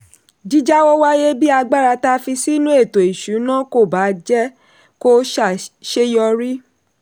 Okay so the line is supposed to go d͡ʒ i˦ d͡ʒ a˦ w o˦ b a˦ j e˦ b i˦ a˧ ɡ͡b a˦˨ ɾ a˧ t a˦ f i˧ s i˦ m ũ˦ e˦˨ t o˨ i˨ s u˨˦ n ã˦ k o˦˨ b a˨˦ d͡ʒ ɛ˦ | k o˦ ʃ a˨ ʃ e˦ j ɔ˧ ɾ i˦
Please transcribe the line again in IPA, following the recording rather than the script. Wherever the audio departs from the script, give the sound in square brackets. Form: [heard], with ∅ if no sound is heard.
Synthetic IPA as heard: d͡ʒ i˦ d͡ʒ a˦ w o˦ [w] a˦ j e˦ b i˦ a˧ ɡ͡b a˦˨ ɾ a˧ t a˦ f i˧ s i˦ [n] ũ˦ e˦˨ t o˨ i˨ [ʃ] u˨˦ n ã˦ k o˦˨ b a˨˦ d͡ʒ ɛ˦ | k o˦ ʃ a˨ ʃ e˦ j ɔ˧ ɾ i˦